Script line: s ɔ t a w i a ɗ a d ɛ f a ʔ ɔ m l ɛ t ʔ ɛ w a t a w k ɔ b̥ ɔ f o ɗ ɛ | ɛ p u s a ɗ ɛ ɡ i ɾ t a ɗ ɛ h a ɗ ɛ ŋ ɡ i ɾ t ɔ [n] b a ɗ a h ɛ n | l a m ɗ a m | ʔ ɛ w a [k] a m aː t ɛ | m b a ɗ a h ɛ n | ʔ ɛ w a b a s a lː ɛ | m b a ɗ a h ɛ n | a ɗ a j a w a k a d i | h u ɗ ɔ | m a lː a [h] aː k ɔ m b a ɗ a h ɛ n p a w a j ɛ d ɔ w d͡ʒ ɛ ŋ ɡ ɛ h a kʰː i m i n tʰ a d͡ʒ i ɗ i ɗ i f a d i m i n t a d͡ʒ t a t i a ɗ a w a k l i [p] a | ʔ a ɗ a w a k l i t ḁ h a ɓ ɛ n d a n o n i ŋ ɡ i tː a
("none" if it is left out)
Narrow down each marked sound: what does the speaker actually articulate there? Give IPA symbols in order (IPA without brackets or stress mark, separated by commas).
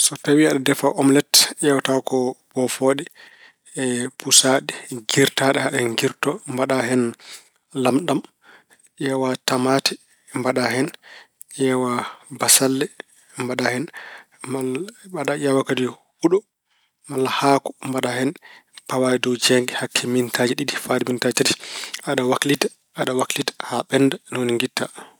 m, t, h, t